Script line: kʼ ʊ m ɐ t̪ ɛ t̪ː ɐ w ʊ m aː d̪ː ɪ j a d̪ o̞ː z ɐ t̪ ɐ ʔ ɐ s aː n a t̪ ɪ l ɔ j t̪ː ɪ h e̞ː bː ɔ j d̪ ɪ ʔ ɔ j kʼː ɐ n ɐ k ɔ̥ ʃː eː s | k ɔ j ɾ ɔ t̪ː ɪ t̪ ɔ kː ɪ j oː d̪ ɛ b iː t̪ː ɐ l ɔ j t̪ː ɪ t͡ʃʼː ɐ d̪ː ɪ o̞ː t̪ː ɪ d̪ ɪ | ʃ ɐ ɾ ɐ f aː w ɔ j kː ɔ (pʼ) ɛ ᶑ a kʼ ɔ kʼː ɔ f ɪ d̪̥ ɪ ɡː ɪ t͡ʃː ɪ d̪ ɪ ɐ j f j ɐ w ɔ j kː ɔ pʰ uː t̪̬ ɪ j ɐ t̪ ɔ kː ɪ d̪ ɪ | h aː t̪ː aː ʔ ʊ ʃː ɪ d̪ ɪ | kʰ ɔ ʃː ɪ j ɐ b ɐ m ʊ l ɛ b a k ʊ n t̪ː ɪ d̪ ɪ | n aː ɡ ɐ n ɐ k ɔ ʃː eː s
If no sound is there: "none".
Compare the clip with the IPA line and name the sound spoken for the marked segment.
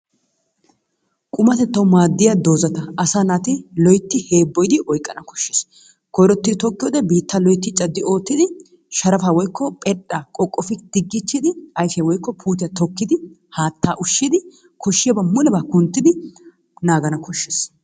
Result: pʼ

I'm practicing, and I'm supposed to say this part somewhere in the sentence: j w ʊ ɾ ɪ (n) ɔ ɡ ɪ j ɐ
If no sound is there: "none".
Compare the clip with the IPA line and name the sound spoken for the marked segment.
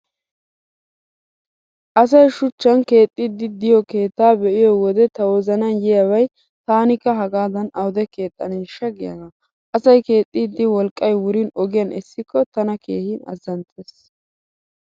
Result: n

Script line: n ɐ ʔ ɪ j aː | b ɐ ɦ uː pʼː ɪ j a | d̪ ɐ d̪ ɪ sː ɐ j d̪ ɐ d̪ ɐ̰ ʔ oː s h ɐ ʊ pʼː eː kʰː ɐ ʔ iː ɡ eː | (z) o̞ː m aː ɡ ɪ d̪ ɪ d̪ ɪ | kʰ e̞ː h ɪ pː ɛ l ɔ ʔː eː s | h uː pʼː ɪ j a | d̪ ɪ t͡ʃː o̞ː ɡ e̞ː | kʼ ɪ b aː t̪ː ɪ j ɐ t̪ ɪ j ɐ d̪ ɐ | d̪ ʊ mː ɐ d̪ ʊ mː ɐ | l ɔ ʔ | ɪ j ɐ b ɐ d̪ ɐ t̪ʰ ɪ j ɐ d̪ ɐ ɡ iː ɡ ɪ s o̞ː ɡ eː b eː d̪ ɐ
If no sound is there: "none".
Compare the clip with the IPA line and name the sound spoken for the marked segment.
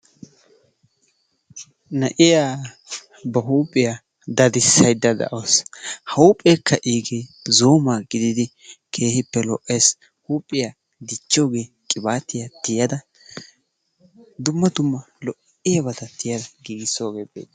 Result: z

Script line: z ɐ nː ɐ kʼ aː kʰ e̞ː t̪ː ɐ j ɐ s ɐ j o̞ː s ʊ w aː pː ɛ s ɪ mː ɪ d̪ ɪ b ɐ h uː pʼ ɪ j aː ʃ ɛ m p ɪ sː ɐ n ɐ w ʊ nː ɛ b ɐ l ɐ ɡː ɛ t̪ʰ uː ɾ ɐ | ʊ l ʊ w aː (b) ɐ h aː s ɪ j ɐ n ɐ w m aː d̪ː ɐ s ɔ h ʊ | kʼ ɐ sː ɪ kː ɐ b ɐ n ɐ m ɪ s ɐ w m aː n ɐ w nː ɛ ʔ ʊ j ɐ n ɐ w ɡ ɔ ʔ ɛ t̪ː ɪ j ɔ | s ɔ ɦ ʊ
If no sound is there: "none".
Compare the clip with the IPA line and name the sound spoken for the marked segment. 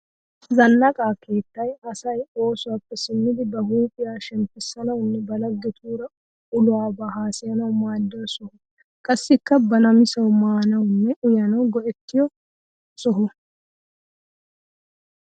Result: b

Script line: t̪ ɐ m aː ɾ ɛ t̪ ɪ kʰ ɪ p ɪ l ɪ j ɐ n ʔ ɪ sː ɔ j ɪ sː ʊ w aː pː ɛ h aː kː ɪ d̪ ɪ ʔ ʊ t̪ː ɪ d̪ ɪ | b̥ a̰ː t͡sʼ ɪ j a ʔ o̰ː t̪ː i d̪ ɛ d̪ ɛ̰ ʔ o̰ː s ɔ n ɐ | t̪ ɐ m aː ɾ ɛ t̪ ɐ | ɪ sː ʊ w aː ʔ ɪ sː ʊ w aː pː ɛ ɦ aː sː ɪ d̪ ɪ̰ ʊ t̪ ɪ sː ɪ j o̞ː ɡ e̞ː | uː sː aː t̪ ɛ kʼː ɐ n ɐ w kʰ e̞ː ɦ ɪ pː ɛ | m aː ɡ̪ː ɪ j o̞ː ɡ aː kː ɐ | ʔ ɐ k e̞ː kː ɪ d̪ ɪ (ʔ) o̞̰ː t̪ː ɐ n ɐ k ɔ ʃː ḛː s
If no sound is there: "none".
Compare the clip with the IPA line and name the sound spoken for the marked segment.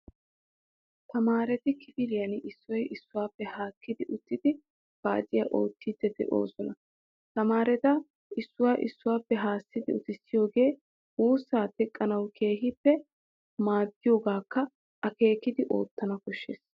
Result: ʔ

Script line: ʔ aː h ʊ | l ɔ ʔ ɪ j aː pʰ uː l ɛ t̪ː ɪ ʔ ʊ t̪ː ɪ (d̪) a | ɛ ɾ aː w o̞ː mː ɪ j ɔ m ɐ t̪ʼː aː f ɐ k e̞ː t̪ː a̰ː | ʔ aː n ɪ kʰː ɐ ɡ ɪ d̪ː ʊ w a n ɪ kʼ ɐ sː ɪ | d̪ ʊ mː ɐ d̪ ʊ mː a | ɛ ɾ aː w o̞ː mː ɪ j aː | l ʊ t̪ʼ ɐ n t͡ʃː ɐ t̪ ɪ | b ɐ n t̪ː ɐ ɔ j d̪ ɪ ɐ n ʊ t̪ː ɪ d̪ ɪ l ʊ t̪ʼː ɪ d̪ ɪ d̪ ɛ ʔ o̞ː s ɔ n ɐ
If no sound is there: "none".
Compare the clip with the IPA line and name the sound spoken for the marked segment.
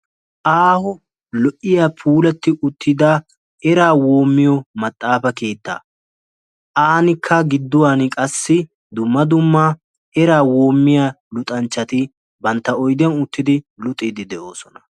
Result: d̪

